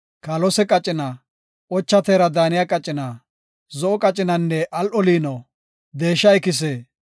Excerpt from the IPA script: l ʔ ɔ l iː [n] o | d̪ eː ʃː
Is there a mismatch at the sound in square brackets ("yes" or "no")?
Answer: no